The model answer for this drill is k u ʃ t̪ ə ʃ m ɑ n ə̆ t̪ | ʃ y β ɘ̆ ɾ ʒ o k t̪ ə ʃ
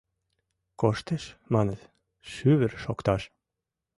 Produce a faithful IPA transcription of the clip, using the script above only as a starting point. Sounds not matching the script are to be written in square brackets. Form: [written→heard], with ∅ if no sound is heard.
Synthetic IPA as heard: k [u→o] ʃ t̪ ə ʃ m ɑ n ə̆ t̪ | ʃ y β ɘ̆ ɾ [ʒ→ʃ] o k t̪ [ə→ɑ] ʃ